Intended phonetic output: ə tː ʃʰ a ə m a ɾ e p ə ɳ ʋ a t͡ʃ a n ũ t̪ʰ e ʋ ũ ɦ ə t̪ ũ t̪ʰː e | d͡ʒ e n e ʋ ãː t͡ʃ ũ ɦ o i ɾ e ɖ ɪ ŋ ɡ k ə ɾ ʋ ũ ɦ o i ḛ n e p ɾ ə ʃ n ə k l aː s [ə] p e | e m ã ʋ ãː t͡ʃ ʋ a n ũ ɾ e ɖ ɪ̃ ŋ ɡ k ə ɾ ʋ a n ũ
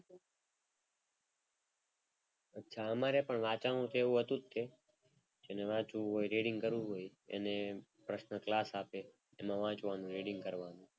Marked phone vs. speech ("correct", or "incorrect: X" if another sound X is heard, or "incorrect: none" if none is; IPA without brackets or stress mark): incorrect: a